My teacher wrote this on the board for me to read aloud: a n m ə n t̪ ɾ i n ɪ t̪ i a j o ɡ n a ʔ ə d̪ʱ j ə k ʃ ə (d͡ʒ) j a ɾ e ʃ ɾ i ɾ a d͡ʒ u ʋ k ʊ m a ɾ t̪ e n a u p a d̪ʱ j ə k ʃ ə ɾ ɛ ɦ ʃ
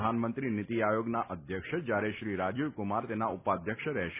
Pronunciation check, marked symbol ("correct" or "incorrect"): correct